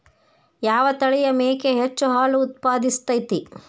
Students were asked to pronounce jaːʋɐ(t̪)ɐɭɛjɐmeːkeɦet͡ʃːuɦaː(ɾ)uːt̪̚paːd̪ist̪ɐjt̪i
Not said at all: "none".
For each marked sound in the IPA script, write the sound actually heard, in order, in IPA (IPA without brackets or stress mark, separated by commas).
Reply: t̪, l